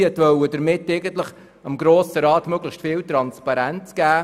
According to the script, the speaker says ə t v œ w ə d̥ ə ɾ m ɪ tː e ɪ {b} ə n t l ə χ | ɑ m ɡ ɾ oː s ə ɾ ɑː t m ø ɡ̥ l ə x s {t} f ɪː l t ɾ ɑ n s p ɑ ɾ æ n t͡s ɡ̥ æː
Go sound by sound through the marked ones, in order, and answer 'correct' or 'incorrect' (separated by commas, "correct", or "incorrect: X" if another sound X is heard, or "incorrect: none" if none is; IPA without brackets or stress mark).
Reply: incorrect: ɡ, correct